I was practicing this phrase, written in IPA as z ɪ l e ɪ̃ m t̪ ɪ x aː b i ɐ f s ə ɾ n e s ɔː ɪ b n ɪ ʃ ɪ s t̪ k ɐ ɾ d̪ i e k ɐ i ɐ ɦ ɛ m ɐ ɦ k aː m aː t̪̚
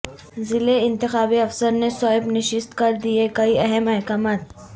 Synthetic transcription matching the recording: z ɪ l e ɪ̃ n t̪ ɪ x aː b i ɐ f s ə ɾ n e s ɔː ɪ b n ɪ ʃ ɪ s t̪ k ɐ ɾ d̪ i e k ɐ i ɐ ɦ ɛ m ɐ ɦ k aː m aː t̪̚